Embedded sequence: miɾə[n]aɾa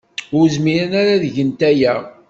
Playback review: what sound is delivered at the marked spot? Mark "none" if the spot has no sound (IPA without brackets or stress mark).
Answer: n